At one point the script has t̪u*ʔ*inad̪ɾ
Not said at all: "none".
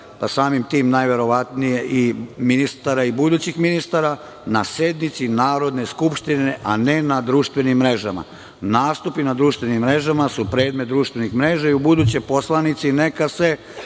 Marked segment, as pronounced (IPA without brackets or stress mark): p